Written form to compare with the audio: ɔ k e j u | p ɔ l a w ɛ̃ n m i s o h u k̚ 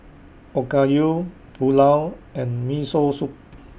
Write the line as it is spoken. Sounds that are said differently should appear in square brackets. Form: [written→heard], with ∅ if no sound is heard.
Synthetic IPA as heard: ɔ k [e→a] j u | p [ɔ→u] l a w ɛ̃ n m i s o [h→s] u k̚